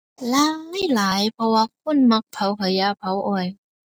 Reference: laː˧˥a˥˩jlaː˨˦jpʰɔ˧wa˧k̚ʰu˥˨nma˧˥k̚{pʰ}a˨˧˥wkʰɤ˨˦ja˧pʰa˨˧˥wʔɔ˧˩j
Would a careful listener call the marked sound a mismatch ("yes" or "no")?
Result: no